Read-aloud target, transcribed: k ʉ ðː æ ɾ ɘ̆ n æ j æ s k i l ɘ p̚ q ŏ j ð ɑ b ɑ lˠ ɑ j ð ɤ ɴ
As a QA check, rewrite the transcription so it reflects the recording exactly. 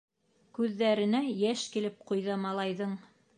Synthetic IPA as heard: k ʉ ðː æ ɾ ɘ̆ n æ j æ ʃ k i l ɘ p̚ q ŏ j ð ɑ m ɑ lˠ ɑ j ð ɤ ɴ